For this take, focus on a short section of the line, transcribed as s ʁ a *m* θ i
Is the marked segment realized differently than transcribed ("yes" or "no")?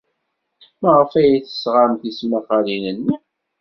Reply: no